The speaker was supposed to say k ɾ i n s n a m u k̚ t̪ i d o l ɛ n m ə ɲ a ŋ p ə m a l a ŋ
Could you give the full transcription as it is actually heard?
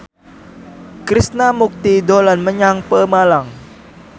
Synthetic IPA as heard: k ɾ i s n a m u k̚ t̪ i d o l a n m ə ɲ a ŋ p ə m a l a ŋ